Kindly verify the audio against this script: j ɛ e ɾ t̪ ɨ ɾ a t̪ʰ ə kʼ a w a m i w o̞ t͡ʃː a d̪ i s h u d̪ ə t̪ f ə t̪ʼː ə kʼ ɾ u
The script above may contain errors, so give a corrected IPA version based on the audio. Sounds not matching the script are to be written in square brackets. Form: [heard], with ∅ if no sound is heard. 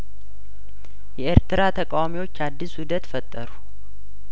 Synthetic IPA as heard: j ɛ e ɾ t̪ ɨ ɾ a t̪ʰ ə kʼ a w a m i w o̞ t͡ʃː a [d̪ː] i s h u d̪ ə t̪ f ə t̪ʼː ə [∅] ɾ u